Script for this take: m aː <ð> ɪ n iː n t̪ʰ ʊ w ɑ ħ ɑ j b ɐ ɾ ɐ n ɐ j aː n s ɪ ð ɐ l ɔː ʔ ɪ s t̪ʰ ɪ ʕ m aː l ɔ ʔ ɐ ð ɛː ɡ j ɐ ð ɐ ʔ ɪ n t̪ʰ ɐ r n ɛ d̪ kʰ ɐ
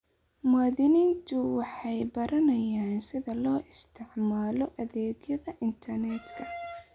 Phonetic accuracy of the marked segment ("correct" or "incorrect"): correct